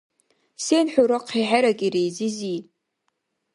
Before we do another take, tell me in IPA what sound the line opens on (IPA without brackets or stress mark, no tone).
s